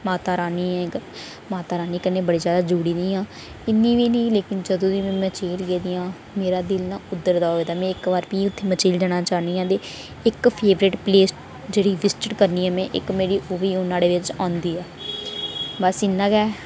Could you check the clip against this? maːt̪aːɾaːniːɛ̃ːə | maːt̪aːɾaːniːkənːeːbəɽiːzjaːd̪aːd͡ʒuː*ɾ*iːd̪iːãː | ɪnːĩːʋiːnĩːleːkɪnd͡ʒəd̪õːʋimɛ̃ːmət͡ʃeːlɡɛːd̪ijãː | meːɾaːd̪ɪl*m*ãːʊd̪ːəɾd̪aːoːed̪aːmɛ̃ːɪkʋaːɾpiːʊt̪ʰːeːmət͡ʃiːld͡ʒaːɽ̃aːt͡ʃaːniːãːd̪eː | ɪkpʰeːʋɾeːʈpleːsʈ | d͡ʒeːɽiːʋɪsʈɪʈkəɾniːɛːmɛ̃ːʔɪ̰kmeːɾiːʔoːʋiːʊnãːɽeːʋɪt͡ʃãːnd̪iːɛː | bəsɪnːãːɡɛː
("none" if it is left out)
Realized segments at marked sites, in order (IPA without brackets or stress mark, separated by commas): ɽ, n